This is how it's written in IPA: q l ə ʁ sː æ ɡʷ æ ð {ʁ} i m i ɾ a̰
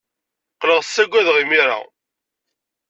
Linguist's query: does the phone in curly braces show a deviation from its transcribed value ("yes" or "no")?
no